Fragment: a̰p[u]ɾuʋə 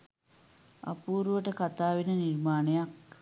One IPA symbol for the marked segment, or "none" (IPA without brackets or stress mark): uː